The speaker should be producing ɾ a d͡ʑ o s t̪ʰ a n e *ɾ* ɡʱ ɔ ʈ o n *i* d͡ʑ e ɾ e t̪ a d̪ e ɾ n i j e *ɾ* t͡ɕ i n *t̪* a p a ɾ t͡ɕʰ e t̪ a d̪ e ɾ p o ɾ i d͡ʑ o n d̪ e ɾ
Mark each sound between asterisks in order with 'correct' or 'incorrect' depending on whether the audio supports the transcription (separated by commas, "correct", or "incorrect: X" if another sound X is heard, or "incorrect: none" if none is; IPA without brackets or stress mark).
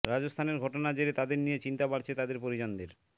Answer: correct, incorrect: a, incorrect: none, correct